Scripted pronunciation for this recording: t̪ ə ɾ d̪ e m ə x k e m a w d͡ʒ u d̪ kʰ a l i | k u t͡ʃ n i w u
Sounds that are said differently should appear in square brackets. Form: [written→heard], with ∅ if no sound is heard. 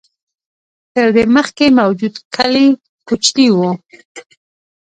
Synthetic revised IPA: t̪ ə ɾ d̪ e m ə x k e m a w d͡ʒ u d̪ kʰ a l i | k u t͡ʃ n i w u